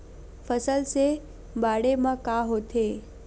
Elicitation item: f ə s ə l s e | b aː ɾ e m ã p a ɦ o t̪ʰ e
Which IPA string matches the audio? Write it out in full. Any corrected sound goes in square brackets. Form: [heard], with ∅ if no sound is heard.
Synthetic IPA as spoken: f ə s ə l s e | b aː [ɽ] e m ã [k] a ɦ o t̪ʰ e

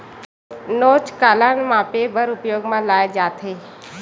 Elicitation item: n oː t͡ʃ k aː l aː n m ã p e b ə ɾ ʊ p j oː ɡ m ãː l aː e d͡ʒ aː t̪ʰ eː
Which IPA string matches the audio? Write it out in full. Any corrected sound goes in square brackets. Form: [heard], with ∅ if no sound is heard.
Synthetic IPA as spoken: n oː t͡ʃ k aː l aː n m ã p e b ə ɾ ʊ p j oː ɡ m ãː l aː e d͡ʒ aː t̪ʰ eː

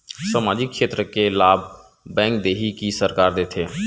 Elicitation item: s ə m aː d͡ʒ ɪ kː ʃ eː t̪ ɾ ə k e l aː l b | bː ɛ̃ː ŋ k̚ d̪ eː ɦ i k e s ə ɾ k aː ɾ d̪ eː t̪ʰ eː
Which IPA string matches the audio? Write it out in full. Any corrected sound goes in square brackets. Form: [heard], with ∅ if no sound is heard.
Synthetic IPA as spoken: s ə m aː d͡ʒ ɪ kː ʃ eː t̪ ɾ ə k e l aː [∅] b | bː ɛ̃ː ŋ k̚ d̪ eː ɦ i k [i] s ə ɾ k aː ɾ d̪ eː t̪ʰ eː

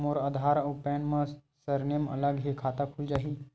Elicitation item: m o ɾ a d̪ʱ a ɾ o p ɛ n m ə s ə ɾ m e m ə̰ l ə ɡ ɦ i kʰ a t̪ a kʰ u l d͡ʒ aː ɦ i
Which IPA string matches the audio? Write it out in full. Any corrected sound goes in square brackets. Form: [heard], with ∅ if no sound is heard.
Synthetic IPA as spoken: m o ɾ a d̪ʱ a ɾ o p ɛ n m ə s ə ɾ [n] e m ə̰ l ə ɡ ɦ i kʰ a t̪ a kʰ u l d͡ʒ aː ɦ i

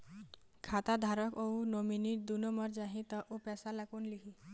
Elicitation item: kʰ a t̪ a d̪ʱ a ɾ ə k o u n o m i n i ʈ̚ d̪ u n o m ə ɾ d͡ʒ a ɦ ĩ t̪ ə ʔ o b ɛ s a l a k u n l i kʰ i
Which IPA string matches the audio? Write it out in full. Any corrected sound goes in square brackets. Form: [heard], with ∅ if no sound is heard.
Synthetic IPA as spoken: kʰ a t̪ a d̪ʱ a ɾ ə k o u n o m i n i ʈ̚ d̪ u n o m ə ɾ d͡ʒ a ɦ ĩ t̪ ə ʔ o [p] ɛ s a l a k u n l i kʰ i

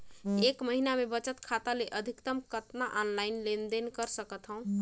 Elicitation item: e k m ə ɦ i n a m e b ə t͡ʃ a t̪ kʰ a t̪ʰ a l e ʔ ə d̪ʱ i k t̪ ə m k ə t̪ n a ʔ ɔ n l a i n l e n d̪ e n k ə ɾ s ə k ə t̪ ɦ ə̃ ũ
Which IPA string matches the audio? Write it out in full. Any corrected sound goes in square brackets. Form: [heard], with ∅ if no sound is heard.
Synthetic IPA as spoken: e k m ə ɦ i n a m e b ə t͡ʃ [ə] t̪ kʰ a [t̪] a l e ʔ ə d̪ʱ i k t̪ ə m k ə t̪ n a ʔ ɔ n l a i n l e n d̪ e n k ə ɾ s ə k ə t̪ ɦ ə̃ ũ

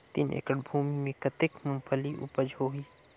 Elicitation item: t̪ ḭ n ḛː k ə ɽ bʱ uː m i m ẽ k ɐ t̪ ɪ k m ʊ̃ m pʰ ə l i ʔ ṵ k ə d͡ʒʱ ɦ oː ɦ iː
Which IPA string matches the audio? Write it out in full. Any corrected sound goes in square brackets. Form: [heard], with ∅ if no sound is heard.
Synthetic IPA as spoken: t̪ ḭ n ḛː k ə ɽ bʱ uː m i m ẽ k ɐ t̪ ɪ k m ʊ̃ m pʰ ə l i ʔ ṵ [p] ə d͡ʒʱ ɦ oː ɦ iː

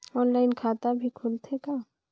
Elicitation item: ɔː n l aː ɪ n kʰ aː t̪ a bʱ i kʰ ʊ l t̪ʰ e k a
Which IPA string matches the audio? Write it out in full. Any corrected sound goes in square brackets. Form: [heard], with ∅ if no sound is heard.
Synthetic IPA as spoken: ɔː n l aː ɪ n kʰ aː t̪ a bʱ i kʰ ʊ l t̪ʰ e k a

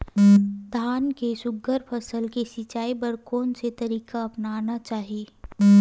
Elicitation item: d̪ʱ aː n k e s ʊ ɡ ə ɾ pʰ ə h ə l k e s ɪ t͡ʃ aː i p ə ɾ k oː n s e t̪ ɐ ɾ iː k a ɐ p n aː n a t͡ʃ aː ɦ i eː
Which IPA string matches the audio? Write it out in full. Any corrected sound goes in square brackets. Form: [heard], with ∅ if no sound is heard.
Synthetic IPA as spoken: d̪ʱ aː n k e s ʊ ɡ ə ɾ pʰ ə [s] ə l k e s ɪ t͡ʃ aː i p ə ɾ k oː n s e t̪ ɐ ɾ iː k a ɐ p n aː n a t͡ʃ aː ɦ i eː

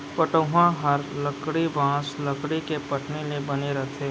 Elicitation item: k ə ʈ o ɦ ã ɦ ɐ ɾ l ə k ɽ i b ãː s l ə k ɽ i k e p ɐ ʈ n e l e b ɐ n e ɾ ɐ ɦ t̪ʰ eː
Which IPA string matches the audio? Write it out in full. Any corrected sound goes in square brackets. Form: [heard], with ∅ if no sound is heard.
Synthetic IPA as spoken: [p] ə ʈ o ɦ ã ɦ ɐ ɾ l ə k ɽ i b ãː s l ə k ɽ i k e p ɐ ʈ n e l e b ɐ n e ɾ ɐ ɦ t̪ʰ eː

